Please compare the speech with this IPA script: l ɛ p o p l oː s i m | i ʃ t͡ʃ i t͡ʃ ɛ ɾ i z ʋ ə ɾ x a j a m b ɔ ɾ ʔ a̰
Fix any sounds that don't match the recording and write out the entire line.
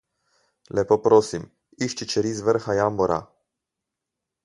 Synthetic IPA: l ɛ p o p ɾ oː s i m | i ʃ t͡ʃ i t͡ʃ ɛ ɾ i z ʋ ə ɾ x a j a m b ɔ ɾ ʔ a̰